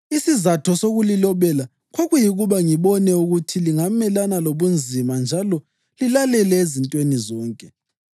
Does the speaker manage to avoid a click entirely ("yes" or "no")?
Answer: yes